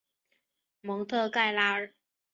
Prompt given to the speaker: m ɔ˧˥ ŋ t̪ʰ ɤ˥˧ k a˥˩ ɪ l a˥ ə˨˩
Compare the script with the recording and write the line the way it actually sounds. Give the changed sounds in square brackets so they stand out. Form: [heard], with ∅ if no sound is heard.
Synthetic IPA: m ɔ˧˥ ŋ t̪ʰ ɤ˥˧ k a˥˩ ɪ l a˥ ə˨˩

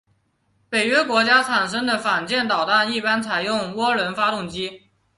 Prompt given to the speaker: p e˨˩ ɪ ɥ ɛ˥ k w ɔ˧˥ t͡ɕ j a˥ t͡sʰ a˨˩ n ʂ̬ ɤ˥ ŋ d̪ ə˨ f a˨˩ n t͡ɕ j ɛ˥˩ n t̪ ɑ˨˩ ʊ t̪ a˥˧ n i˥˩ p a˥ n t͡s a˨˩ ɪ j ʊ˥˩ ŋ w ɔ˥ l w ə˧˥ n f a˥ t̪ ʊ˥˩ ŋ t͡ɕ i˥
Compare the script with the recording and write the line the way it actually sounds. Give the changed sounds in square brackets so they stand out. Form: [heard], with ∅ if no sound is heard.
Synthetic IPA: p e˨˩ ɪ ɥ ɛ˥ k w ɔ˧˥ t͡ɕ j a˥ t͡sʰ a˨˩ n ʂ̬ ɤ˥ ŋ d̪ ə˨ f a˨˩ n t͡ɕ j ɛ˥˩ n t̪ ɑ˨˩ ʊ t̪ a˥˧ n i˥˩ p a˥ n [t͡sʰ] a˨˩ ɪ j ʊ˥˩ ŋ w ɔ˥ l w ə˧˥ n f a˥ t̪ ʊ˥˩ ŋ t͡ɕ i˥

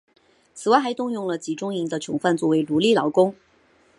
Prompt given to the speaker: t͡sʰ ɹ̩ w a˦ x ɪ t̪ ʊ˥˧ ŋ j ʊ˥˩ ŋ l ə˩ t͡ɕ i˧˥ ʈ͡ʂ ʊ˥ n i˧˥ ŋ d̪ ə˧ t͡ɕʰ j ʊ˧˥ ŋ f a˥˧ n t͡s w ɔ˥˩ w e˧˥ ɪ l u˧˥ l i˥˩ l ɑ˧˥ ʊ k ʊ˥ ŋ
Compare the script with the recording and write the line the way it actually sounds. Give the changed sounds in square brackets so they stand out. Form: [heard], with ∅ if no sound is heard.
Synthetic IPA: t͡sʰ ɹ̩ w [a˥˩] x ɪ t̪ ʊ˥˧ ŋ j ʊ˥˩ ŋ l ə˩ t͡ɕ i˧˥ ʈ͡ʂ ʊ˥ [ŋ] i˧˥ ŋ d̪ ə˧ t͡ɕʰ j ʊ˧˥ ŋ f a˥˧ n t͡s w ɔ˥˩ w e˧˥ ɪ l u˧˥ l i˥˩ l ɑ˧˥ ʊ k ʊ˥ ŋ

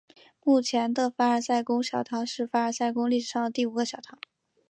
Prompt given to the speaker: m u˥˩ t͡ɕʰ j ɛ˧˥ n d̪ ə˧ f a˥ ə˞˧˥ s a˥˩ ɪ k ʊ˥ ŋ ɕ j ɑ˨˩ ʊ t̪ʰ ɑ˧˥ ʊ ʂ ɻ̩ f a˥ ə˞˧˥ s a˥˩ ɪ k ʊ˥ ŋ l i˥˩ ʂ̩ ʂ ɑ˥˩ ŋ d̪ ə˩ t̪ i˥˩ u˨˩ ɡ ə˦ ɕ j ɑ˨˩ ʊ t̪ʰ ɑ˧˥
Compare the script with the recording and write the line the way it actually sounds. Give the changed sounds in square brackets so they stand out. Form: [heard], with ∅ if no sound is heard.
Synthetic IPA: m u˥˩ t͡ɕʰ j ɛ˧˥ n d̪ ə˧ f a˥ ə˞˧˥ s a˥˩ ɪ k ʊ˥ ŋ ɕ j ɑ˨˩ ʊ t̪ʰ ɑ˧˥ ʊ ʂ ɻ̩ f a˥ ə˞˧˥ s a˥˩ ɪ k ʊ˥ ŋ l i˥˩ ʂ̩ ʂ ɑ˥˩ ŋ d̪ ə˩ t̪ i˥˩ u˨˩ ɡ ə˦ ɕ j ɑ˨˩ ʊ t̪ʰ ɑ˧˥

